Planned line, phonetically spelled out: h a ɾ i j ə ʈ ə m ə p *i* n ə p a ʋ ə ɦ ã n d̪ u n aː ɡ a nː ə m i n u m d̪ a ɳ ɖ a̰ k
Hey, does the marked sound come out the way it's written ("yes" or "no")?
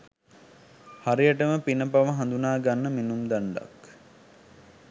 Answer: yes